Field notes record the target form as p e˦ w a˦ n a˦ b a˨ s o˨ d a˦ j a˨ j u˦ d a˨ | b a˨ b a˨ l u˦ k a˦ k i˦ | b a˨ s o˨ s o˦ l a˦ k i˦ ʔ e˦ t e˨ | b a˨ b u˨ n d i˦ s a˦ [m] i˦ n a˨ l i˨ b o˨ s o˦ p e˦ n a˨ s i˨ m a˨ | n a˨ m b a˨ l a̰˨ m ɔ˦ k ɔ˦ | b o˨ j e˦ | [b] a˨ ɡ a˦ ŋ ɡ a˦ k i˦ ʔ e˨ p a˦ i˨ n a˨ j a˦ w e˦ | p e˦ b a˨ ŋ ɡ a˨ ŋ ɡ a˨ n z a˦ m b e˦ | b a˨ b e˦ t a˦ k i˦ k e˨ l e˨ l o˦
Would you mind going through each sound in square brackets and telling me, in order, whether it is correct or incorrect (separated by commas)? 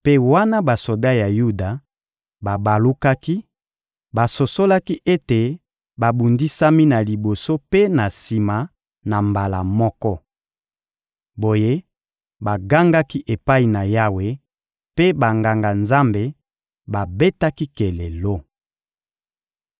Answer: correct, correct